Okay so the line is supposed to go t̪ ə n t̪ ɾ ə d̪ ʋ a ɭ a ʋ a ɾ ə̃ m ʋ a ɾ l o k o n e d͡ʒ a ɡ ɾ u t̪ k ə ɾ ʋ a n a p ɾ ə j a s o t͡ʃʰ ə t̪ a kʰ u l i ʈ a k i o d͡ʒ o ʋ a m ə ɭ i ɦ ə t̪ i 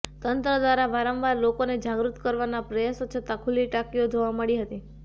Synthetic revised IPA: t̪ ə n t̪ ɾ ə d̪ ʋ a ɾ a ʋ a ɾ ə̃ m ʋ a ɾ l o k o n e d͡ʒ a ɡ ɾ u t̪ k ə ɾ ʋ a n a p ɾ ə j a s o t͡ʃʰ ə t̪ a kʰ u l i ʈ a k i o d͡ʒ o ʋ a m ə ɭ i ɦ ə t̪ i